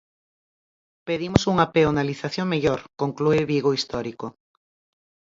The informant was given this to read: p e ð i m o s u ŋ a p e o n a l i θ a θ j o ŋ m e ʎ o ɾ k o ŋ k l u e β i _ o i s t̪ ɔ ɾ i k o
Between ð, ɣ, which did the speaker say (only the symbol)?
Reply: ɣ